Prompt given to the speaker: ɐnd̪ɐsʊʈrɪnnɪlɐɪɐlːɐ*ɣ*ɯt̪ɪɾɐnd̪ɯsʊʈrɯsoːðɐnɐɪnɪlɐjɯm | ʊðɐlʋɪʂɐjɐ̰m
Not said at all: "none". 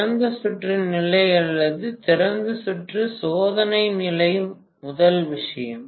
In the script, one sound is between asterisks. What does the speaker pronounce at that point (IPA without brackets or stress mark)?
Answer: ð